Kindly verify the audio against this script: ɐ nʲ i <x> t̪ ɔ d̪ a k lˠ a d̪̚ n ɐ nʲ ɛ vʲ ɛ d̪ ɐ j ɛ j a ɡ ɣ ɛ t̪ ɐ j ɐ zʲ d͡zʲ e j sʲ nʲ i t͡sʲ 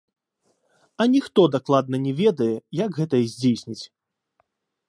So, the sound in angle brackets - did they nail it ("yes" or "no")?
yes